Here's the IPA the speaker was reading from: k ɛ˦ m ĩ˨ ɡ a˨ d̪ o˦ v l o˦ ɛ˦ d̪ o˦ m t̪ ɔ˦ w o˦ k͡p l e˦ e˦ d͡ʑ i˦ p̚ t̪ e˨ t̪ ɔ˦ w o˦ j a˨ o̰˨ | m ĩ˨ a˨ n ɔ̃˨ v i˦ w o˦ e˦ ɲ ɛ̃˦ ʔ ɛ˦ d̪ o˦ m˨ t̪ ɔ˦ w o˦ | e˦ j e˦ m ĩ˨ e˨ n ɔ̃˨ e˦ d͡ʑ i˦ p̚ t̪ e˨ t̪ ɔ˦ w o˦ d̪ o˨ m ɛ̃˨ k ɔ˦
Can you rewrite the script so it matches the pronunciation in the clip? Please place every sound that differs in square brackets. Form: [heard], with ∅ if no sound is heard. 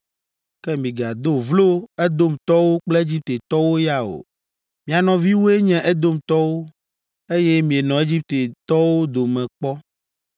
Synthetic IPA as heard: k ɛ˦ m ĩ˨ ɡ a˨ d̪ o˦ v l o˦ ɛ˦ d̪ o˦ m t̪ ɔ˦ w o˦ k͡p l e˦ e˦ d͡ʑ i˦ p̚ t̪ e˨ t̪ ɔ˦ w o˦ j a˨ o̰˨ | m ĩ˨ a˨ n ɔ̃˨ v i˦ w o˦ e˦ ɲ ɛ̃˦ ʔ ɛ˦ d̪ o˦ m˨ t̪ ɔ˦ w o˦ | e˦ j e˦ m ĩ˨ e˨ n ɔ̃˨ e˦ d͡ʑ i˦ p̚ t̪ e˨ t̪ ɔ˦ w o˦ d̪ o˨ m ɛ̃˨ [k͡p] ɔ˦

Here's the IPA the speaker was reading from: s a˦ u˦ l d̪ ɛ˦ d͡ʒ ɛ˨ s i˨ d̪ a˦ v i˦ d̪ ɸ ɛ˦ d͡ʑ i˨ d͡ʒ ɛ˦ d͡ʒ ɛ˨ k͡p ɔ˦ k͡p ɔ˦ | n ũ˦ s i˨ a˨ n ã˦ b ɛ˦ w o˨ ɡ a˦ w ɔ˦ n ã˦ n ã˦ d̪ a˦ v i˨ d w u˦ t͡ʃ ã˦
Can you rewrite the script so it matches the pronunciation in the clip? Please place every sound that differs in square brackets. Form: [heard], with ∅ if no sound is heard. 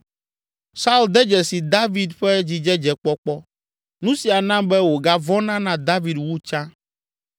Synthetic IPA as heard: s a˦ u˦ l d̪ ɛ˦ d͡ʒ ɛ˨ s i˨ d̪ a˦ v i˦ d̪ ɸ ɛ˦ d͡ʑ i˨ d͡ʒ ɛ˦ d͡ʒ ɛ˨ k͡p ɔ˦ k͡p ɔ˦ | n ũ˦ s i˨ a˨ n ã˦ b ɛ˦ w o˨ ɡ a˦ [v] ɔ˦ n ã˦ n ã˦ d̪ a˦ v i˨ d w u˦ t͡ʃ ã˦

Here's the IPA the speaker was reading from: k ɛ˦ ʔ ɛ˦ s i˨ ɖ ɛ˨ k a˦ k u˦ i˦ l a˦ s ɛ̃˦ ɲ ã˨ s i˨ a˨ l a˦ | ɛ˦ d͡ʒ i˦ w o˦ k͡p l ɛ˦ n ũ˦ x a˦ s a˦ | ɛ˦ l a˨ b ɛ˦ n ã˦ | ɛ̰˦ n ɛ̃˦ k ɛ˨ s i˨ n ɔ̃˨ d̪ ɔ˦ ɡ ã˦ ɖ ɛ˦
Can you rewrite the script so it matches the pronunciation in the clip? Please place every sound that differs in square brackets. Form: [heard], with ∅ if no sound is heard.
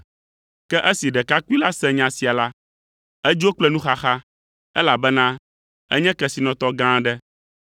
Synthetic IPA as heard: k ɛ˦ ʔ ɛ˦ s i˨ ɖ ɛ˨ k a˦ k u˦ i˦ l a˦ s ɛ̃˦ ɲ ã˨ s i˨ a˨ l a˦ | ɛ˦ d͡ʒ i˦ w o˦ k͡p l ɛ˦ n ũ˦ x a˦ [x] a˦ | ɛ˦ l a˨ b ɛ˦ n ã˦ | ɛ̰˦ [ɲ] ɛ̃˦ k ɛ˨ s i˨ n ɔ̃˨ [t̪] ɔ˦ ɡ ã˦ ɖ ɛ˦

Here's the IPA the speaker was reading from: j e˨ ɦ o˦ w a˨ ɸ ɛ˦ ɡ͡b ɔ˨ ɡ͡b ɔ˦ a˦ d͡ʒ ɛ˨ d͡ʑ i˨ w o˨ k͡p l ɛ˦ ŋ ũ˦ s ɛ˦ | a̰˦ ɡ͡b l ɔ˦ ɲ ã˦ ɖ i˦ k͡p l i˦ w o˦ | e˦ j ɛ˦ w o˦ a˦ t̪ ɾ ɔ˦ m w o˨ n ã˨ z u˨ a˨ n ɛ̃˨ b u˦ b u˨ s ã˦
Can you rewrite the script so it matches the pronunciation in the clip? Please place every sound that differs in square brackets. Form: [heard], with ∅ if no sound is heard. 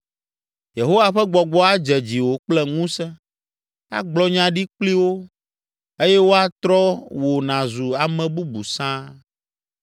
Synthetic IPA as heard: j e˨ ɦ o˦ w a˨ ɸ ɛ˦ ɡ͡b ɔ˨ ɡ͡b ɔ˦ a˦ d͡ʒ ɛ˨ d͡ʑ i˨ w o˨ k͡p l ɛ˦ ŋ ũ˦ s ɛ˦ | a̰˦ ɡ͡b l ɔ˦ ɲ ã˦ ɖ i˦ k͡p l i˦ w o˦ | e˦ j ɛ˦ w o˦ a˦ t̪ ɾ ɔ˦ [∅] w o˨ n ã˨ z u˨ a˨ [m] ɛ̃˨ b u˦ b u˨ s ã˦

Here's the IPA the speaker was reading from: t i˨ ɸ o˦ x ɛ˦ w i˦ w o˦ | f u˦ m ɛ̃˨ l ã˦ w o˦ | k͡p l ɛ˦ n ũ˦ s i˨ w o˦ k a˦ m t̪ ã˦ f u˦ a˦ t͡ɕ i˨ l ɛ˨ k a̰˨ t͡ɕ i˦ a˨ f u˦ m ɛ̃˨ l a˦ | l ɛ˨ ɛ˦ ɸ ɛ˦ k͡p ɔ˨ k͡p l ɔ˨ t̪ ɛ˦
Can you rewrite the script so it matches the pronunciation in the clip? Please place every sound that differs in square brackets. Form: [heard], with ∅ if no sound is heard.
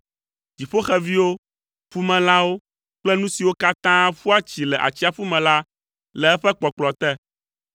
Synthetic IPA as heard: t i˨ ɸ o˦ x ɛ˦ [v] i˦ w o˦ | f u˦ m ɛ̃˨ l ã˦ w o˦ | k͡p l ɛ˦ n ũ˦ s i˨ w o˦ k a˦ [∅] t̪ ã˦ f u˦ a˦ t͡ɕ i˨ l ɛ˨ [ʔ] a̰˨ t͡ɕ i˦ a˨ f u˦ m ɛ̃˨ l a˦ | l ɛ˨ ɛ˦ ɸ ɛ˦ k͡p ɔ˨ k͡p l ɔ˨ t̪ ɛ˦

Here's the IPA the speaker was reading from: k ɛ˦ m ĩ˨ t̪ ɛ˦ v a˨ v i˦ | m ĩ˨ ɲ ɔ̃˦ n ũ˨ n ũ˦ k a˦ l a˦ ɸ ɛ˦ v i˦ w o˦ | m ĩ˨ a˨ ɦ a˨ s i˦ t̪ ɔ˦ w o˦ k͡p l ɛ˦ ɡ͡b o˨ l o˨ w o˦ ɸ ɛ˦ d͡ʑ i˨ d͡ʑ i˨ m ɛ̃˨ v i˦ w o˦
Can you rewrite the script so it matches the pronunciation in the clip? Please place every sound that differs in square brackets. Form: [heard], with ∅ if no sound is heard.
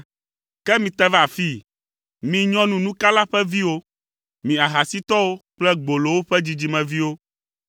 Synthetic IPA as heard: k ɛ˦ m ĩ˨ t̪ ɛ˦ v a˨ [f] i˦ | m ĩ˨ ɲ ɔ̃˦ n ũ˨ n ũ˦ k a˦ l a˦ ɸ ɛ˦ v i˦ w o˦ | m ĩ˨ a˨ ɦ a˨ s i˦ t̪ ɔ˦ w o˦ k͡p l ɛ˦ ɡ͡b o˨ l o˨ w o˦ ɸ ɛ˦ d͡ʑ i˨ d͡ʑ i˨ m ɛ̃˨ v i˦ w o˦

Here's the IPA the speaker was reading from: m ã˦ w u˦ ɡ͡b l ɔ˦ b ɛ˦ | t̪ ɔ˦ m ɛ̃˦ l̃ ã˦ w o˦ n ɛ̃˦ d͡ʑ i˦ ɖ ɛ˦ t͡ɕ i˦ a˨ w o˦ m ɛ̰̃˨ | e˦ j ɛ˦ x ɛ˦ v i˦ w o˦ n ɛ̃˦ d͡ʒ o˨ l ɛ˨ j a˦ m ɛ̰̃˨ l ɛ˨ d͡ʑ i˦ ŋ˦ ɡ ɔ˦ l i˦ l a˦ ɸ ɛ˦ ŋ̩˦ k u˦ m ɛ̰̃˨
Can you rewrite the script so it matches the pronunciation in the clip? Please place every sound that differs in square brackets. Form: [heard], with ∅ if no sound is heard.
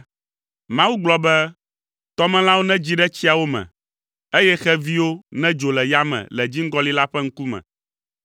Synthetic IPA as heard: m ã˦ w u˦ ɡ͡b l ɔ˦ b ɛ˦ | t̪ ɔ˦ m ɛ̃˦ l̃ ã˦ w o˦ n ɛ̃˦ d͡ʑ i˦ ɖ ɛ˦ t͡ɕ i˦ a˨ w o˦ m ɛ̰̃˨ | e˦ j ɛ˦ x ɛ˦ v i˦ w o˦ n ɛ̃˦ d͡ʒ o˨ l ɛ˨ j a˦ m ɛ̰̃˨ l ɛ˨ d͡ʑ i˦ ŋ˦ ɡ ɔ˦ l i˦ l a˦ ɸ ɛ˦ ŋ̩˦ k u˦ m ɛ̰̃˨

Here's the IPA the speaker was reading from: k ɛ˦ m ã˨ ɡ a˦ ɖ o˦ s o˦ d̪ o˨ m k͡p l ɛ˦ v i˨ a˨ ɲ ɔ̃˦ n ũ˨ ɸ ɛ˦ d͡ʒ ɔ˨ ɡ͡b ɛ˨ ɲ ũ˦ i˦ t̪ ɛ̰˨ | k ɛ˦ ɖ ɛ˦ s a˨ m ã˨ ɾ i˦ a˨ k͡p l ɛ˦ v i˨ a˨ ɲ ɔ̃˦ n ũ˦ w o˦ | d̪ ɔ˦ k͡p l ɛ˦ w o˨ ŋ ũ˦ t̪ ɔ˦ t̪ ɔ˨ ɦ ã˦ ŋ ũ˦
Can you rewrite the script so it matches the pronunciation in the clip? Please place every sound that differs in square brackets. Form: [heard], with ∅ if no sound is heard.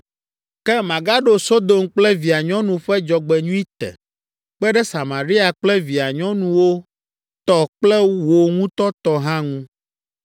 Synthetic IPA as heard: k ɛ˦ m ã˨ ɡ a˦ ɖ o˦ s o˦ d̪ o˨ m k͡p l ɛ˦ v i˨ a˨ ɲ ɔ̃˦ n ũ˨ ɸ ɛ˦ d͡ʒ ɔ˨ ɡ͡b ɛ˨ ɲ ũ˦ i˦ t̪ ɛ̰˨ | [k͡p] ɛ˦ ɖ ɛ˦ s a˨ m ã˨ ɾ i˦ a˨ k͡p l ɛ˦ v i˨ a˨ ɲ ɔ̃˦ n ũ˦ w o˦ | [t̪] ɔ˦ k͡p l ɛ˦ w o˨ ŋ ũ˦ t̪ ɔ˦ t̪ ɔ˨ ɦ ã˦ ŋ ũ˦

